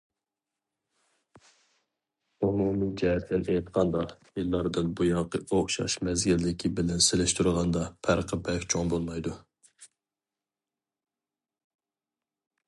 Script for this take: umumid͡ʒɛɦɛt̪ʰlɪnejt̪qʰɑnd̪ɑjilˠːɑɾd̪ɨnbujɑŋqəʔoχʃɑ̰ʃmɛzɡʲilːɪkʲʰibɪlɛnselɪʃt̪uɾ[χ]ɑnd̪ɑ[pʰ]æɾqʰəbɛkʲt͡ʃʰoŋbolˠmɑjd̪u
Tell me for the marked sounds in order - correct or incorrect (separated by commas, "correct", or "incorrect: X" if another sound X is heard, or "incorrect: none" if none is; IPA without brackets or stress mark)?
incorrect: ʁ, correct